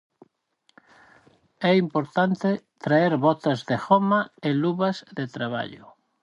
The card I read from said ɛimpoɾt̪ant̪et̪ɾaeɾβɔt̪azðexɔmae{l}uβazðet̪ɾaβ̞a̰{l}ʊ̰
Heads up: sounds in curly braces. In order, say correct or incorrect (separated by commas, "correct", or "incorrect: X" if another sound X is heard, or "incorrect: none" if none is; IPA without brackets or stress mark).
correct, incorrect: ʎ